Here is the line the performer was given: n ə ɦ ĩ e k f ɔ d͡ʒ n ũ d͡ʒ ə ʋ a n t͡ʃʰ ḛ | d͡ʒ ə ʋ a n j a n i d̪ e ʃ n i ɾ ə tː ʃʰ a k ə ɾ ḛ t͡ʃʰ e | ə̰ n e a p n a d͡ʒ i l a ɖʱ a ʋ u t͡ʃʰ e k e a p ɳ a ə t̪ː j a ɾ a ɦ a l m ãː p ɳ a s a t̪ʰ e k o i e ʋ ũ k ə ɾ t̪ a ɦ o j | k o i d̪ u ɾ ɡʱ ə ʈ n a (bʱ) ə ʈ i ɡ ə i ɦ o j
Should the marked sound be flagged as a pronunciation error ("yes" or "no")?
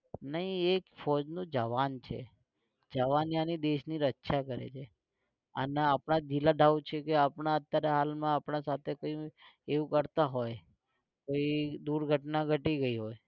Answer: yes